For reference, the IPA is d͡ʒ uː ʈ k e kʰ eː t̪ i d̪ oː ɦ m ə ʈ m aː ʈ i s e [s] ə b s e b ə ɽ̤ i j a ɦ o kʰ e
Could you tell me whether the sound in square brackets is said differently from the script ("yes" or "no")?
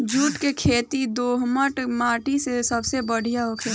no